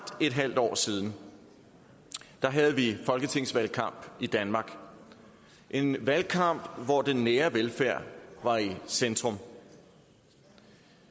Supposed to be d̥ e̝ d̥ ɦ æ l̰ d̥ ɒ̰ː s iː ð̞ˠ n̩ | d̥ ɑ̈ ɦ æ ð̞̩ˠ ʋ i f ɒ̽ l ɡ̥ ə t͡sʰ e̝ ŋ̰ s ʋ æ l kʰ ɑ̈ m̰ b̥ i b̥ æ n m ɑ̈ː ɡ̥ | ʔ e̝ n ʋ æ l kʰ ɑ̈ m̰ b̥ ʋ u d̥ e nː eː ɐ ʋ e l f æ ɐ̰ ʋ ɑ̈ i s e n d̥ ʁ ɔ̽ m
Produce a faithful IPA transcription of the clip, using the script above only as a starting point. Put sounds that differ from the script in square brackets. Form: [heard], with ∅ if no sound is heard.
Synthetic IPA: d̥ e̝ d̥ ɦ æ l̰ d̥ ɒ̰ː s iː ð̞ˠ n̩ | d̥ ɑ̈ ɦ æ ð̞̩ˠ ʋ i f ɒ̽ l ɡ̥ ə t͡sʰ e̝ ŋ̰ s ʋ æ l kʰ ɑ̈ m̰ b̥ i [d̥] æ n m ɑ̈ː ɡ̥ | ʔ e̝ n ʋ æ l kʰ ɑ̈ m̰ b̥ ʋ [ɒ] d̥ e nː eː ɐ ʋ e l f æ ɐ̰ ʋ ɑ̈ i s e n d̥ ʁ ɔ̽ m